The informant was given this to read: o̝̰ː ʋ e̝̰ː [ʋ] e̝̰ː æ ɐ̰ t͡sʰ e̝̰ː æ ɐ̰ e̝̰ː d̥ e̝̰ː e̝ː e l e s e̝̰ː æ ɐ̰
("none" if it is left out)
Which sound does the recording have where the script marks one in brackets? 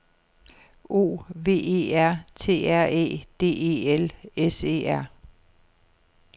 none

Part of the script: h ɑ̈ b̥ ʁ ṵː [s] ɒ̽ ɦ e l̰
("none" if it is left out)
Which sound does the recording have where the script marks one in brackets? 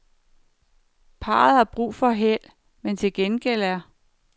f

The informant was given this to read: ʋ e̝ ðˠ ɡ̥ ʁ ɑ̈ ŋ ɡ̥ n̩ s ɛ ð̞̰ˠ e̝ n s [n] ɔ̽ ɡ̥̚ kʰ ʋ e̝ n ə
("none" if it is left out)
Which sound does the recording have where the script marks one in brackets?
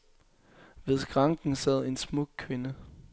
m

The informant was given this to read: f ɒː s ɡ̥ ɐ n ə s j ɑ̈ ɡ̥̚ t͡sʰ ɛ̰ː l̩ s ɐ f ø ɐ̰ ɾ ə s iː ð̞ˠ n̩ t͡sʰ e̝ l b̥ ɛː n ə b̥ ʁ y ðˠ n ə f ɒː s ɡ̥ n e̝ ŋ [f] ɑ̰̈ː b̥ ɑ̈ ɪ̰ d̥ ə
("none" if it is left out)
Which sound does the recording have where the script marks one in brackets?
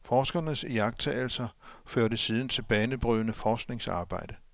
s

